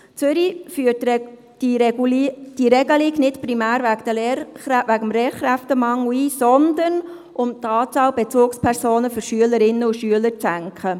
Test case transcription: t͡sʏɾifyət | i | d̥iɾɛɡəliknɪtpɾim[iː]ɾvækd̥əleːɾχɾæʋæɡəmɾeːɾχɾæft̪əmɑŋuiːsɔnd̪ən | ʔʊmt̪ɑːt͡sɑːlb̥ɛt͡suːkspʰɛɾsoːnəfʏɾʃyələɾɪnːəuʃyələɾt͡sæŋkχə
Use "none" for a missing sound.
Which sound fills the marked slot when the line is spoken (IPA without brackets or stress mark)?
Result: æː